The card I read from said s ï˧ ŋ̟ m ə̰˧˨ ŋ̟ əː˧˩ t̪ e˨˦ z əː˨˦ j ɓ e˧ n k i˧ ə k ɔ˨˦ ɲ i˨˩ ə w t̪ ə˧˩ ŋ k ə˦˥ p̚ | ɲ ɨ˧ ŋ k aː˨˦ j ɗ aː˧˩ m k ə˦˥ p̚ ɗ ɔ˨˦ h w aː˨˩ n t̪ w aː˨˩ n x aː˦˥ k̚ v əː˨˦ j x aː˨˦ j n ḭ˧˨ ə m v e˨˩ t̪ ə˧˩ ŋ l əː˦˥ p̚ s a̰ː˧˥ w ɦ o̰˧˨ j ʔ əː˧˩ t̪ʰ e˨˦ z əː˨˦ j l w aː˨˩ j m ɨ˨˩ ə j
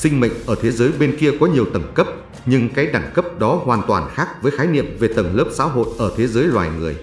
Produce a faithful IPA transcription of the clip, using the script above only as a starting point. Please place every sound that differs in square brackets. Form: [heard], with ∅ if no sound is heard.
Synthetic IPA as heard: s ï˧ ŋ̟ m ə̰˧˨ ŋ̟ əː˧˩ [t̪ʰ] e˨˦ z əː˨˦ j ɓ e˧ n k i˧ ə k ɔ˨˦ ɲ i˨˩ ə w t̪ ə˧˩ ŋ k ə˦˥ p̚ | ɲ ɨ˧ ŋ k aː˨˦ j ɗ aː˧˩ [ŋ] k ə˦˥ p̚ ɗ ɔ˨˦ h w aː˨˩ n t̪ w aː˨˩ n x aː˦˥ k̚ v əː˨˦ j x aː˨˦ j n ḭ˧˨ ə m v e˨˩ t̪ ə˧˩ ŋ l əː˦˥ p̚ s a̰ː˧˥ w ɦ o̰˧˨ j ʔ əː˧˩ t̪ʰ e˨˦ z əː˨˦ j l w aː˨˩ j [ŋ] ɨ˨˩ ə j